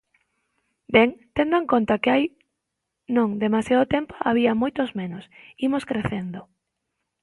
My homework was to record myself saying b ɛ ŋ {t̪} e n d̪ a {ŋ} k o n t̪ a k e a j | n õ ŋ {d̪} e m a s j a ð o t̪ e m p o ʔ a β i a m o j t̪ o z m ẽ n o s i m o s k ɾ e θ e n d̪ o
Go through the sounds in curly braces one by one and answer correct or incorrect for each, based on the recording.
correct, correct, correct

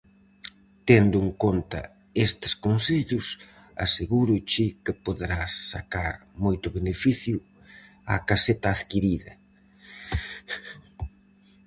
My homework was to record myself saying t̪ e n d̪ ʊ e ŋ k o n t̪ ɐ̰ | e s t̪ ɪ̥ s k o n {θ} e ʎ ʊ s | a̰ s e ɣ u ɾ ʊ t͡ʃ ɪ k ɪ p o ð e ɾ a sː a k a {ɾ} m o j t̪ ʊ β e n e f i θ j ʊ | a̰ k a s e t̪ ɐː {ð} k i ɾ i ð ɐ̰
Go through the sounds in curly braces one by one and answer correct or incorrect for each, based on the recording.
incorrect: s, correct, correct

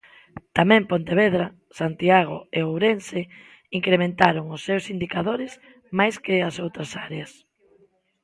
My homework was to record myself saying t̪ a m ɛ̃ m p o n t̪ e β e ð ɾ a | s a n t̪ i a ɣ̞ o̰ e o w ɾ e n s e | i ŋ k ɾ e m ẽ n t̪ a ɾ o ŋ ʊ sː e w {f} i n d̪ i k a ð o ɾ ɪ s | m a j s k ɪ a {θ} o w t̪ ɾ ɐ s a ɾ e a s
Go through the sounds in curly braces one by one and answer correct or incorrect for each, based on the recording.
incorrect: s, incorrect: s

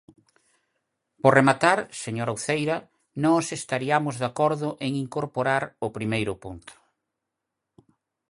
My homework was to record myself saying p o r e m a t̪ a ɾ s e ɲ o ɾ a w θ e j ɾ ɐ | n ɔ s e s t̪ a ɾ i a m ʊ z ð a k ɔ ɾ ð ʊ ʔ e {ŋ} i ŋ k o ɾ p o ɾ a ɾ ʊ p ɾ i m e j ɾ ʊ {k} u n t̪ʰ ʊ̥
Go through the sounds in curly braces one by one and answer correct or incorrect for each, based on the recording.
correct, incorrect: p

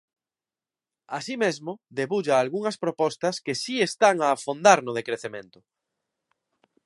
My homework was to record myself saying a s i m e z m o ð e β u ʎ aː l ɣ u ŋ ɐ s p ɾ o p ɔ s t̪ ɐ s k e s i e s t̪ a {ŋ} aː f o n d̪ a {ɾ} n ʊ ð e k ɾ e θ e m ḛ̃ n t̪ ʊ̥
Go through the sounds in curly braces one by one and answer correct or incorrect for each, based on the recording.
correct, correct

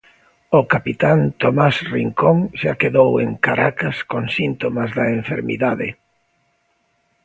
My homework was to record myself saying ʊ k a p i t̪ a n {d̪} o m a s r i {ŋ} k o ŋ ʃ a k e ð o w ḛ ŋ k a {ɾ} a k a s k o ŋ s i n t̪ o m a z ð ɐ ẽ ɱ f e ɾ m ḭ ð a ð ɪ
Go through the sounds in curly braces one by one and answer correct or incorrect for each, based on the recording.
incorrect: t̪, correct, correct

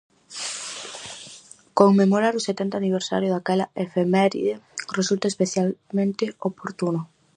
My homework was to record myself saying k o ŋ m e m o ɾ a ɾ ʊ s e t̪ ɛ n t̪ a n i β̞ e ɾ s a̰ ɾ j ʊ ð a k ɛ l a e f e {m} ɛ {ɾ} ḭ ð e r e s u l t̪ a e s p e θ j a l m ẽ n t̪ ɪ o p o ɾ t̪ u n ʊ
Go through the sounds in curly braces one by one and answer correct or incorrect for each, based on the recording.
correct, correct

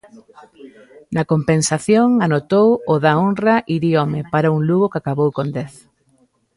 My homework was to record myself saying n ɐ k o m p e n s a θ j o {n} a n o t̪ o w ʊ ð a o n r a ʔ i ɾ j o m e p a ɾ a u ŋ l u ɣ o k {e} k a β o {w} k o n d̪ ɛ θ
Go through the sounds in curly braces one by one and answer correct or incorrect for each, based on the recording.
incorrect: ŋ, incorrect: a, correct

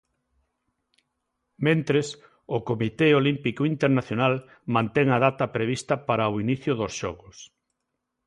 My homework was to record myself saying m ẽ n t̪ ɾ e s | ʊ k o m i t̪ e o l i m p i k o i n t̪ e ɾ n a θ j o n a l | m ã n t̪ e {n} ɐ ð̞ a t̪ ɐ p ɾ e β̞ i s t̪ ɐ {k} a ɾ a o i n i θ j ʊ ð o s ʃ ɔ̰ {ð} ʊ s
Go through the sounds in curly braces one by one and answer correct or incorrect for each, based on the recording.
incorrect: ŋ, incorrect: p, incorrect: ɣ

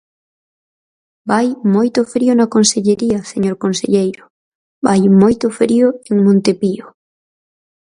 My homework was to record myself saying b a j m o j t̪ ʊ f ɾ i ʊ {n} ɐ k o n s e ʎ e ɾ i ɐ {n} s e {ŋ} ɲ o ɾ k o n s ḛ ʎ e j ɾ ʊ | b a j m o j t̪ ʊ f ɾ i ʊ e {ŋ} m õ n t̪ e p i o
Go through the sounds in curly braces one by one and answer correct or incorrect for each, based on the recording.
correct, incorrect: none, incorrect: none, correct

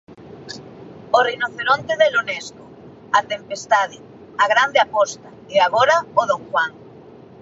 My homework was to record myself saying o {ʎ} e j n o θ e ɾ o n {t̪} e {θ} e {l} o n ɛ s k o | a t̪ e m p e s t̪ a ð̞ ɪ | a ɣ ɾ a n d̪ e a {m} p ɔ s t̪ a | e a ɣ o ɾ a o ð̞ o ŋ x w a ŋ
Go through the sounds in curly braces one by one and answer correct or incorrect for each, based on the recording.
incorrect: r, correct, incorrect: ð, correct, incorrect: none

